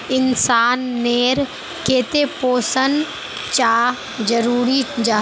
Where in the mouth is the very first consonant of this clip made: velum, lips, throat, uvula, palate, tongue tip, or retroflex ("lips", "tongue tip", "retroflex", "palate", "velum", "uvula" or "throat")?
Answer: tongue tip